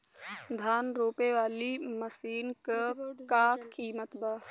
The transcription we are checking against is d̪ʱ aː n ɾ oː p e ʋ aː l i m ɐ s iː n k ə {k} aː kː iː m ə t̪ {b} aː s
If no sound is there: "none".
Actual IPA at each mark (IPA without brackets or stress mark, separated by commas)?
k, b